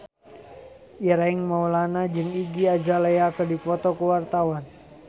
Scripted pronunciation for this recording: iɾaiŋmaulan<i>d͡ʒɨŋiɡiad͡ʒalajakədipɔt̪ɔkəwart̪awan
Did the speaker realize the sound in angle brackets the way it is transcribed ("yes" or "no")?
no